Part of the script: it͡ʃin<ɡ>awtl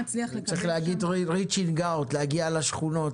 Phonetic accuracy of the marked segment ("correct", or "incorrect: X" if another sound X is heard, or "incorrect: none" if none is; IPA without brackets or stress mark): correct